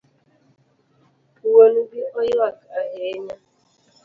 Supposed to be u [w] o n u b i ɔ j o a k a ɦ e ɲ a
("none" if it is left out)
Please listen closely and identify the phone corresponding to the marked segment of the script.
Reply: w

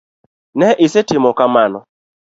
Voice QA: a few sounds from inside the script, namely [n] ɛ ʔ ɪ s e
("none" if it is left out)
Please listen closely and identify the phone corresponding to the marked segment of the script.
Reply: n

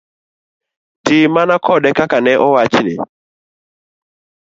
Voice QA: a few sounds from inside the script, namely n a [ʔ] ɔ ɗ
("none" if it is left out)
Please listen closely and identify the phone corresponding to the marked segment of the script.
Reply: k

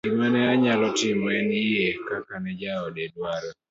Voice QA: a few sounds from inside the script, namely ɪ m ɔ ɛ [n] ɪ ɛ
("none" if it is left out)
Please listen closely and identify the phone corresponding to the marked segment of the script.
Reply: n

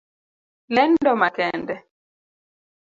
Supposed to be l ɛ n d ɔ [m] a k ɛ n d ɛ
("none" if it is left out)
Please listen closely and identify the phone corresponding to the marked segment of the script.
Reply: m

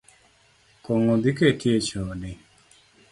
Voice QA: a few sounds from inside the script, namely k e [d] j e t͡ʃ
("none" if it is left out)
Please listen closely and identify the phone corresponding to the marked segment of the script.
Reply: t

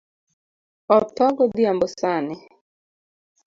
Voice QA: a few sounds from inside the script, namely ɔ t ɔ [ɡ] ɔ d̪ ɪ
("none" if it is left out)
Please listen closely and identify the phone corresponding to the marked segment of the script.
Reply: ɡ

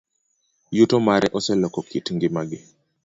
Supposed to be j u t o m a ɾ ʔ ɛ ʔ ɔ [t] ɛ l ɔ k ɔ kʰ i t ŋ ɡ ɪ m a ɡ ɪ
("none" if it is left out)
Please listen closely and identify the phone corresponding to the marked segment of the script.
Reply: s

